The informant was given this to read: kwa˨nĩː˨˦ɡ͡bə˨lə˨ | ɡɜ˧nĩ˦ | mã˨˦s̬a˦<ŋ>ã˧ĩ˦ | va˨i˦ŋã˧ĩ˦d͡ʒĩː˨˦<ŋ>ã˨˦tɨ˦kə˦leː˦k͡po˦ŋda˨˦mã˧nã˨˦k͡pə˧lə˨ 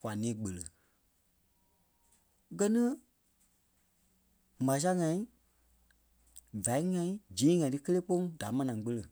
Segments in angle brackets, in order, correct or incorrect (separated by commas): correct, correct